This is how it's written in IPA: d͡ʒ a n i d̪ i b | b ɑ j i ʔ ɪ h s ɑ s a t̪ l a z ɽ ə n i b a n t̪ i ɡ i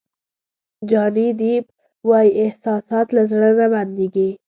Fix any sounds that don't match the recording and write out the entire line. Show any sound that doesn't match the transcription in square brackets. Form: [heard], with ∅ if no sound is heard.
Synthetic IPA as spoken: d͡ʒ [ɑ] n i d̪ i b | [w] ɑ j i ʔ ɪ h s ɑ s [ɑ] t̪ l a z ɽ ə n [a] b a n [d̪] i ɡ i